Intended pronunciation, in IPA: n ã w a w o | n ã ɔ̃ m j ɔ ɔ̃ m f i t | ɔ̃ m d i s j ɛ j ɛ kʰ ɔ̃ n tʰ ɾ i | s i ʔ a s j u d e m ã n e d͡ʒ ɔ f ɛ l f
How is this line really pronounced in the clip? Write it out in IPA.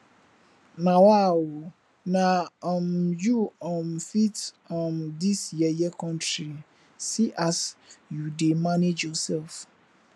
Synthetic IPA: n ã w a w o | n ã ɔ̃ m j u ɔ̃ m f i t | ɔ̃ m d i s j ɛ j ɛ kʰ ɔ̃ n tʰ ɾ i | s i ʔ a s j u d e m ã n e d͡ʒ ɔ s ɛ l f